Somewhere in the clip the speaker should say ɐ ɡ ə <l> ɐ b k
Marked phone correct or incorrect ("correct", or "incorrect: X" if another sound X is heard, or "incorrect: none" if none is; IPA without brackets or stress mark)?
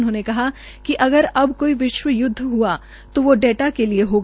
incorrect: ɾ